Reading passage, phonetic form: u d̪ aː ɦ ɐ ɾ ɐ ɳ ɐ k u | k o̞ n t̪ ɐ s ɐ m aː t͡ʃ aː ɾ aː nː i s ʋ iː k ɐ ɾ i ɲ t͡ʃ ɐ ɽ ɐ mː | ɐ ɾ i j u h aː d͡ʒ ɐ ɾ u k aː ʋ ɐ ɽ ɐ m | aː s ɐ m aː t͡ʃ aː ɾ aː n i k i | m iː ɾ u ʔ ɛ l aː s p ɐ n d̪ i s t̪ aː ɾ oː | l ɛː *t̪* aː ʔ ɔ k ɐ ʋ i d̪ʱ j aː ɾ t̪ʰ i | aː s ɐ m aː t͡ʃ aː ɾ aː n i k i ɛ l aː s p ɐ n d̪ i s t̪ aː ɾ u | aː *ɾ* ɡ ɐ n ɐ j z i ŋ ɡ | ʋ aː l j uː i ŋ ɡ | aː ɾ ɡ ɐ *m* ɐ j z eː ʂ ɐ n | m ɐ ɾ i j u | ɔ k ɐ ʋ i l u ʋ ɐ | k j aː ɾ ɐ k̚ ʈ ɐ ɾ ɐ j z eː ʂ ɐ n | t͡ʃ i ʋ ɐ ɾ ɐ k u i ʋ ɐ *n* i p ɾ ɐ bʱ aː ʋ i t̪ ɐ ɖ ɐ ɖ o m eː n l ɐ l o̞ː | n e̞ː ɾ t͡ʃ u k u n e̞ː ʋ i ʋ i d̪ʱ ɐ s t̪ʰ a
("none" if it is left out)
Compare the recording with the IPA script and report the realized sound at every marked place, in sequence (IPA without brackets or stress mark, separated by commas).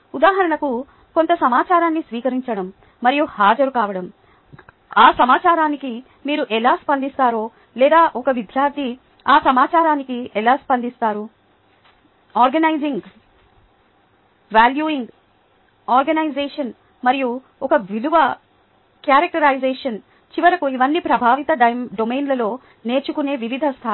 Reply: d̪, ɾ, n, nː